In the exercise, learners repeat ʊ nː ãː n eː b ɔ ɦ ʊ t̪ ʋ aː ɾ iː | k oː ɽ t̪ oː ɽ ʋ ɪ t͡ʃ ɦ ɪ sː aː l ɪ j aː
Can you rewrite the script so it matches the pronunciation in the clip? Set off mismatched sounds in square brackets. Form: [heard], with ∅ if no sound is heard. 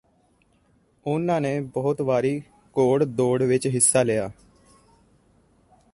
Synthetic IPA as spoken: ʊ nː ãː n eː b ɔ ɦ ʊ t̪ ʋ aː ɾ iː | k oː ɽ [d̪] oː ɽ ʋ ɪ t͡ʃ ɦ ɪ sː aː l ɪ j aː